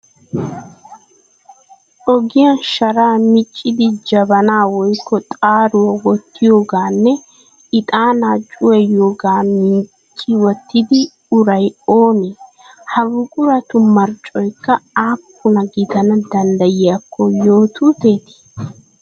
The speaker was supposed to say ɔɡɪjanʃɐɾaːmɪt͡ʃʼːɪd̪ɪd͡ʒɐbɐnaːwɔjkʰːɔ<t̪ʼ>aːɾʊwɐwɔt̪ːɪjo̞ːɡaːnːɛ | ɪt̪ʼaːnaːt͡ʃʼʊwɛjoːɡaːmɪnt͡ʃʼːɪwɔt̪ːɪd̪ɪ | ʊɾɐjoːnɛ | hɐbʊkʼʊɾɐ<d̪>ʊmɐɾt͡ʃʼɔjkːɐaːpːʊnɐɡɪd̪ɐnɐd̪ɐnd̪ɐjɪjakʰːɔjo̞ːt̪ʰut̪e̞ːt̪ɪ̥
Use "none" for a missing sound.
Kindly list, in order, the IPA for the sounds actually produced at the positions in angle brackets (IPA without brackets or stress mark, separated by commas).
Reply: t̪ʼ, t̪